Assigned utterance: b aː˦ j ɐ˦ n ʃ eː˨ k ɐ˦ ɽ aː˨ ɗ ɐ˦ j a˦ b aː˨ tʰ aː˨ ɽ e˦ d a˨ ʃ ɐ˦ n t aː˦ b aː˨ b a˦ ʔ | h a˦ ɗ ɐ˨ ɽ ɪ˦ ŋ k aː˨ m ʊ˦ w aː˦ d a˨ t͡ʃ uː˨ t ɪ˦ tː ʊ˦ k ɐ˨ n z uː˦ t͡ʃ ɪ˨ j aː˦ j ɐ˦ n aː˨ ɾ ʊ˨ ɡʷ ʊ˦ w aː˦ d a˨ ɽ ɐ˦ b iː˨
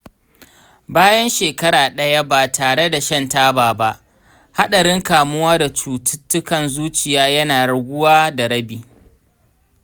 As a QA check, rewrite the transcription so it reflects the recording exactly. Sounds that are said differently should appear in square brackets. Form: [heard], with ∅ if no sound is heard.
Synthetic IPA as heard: b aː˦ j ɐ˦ n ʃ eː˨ k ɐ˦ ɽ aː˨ ɗ ɐ˦ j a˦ b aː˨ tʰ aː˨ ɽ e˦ d a˨ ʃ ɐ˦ n t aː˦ b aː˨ b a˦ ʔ | h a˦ ɗ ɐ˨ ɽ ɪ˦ ŋ k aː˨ m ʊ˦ w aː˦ d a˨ t͡ʃ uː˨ t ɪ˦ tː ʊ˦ k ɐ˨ n z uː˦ t͡ʃ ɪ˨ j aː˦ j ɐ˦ n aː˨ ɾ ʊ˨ ɡʷ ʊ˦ w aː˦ d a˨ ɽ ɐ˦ b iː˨